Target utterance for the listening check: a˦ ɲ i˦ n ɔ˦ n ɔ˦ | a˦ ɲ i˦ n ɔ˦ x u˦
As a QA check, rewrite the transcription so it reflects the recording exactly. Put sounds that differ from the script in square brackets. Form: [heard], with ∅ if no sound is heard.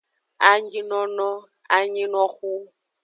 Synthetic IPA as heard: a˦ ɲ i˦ n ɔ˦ n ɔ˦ | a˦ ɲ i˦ n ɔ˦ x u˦